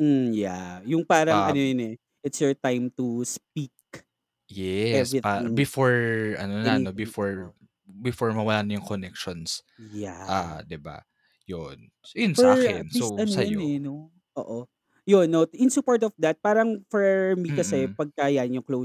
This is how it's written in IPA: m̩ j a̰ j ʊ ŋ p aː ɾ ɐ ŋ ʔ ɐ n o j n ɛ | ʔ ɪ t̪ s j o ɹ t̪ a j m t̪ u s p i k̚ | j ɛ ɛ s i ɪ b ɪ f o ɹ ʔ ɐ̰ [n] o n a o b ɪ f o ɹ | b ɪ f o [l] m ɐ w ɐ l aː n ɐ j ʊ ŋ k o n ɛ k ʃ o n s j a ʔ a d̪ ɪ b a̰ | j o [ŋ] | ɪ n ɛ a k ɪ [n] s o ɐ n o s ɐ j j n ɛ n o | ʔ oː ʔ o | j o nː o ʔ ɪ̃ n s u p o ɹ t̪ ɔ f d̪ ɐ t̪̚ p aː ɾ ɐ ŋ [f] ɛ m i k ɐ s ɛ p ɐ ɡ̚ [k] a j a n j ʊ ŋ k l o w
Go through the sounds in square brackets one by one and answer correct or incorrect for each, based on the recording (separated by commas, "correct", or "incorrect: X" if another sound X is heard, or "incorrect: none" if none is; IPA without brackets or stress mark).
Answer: correct, incorrect: ɹ, incorrect: n, correct, correct, correct